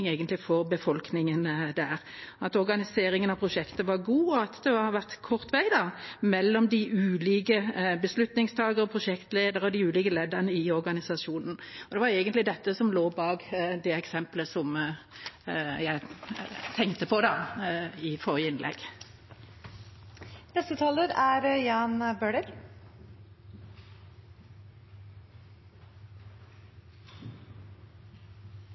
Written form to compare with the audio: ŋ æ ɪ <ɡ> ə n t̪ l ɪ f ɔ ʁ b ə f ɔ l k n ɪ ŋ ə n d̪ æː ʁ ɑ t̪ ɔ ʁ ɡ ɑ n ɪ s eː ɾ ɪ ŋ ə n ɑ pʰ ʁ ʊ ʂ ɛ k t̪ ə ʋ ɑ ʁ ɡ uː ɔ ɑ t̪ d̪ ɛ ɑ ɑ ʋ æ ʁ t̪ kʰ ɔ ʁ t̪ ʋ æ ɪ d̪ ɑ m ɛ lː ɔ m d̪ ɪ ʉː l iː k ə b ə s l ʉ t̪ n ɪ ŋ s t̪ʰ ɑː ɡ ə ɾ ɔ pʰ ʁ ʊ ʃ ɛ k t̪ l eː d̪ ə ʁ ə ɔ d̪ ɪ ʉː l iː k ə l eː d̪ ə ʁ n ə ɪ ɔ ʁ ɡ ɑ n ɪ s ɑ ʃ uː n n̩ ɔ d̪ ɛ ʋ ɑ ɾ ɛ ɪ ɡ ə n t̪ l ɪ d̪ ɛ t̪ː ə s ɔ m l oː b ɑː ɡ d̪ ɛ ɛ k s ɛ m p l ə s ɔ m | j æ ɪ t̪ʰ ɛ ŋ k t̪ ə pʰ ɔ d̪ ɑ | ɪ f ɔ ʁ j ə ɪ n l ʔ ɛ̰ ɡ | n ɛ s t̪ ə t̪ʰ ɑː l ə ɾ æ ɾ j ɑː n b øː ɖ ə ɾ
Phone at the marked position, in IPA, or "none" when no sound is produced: ɡ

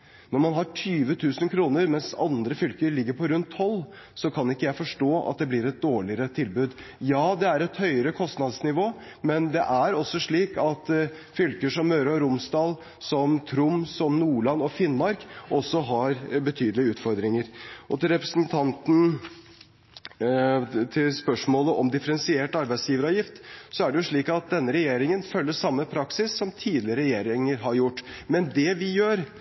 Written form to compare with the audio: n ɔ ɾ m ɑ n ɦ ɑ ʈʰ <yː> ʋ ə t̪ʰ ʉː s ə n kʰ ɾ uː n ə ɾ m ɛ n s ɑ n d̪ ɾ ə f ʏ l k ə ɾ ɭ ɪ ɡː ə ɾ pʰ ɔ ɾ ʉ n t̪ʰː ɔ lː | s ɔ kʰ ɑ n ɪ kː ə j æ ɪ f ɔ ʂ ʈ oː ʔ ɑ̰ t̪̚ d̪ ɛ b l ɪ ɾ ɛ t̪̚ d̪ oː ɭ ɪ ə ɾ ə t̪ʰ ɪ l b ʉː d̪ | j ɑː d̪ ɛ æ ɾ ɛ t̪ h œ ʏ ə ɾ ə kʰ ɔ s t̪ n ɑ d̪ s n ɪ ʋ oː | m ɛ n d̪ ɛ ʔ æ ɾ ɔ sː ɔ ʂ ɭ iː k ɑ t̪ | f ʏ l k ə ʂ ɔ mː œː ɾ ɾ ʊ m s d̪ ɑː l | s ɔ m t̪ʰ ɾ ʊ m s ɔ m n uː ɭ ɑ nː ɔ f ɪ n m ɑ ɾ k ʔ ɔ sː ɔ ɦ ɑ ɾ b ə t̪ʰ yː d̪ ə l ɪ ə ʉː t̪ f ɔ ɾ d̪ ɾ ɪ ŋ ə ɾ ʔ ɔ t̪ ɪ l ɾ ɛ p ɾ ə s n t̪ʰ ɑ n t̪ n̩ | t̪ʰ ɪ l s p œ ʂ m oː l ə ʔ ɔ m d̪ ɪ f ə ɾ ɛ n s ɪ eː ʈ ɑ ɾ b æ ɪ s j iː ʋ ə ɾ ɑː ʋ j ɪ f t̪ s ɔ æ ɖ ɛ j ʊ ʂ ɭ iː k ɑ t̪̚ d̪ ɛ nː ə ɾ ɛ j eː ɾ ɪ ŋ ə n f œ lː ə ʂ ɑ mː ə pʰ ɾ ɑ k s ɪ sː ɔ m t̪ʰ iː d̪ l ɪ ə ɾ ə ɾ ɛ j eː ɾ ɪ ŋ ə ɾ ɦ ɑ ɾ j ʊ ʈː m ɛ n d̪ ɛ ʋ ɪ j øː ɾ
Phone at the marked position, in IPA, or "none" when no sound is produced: yː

